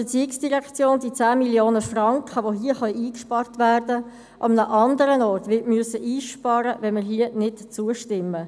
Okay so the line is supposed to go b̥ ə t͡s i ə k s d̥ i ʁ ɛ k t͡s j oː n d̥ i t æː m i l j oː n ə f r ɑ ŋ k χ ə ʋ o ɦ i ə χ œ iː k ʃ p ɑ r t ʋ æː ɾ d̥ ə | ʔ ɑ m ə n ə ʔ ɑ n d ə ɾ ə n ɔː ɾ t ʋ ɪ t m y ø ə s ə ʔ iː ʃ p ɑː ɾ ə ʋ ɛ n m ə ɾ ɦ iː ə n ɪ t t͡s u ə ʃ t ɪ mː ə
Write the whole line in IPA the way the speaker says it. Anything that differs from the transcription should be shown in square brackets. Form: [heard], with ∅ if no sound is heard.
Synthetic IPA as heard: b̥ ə t͡s i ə k s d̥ i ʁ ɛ k t͡s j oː n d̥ i [t͡s] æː m i l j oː n ə f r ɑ ŋ k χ ə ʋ o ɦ i ə χ œ iː k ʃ p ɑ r t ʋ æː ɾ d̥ ə | ʔ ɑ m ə n ə ʔ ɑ n d ə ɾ ə n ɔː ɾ t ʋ ɪ t m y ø ə s ə ʔ iː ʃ p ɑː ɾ ə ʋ ɛ n m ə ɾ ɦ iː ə n ɪ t t͡s u ə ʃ t ɪ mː ə